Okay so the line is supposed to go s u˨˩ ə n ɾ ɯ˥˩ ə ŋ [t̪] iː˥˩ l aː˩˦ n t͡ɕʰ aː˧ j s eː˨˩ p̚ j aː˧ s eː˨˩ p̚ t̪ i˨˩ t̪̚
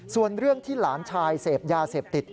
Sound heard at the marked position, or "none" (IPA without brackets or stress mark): t̪ʰ